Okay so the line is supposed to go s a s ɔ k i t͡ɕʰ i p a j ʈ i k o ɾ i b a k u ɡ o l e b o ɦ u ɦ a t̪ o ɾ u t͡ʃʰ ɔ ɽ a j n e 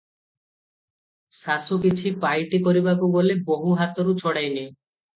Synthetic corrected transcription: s a s u k i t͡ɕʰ i p a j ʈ i k o ɾ i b a k u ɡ o l e b o ɦ u ɦ a t̪ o ɾ u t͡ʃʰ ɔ ɽ a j n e